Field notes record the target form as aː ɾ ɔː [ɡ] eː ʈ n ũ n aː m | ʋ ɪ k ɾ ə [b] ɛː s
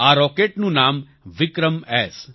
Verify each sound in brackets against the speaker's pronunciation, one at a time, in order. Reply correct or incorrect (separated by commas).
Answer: incorrect, incorrect